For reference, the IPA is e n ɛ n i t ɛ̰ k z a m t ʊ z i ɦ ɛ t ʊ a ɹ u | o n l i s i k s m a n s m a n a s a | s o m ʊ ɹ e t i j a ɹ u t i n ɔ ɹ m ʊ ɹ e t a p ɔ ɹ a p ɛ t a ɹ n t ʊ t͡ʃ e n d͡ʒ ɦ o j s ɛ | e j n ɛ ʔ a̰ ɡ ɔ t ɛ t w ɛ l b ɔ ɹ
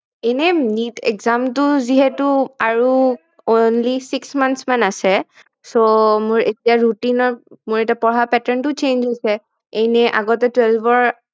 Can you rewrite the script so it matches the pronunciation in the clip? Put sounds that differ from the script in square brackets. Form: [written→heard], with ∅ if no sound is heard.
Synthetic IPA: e n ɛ n i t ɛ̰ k z a m t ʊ z i ɦ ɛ t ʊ a ɹ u | o n l i s i k s m a n s m a n a s [a→ɛ] | s o m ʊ ɹ e t i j a ɹ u t i n ɔ ɹ m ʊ ɹ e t a p ɔ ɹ a p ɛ t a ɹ n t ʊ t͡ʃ e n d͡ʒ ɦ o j s ɛ | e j n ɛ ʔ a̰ ɡ ɔ t ɛ t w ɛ l b ɔ ɹ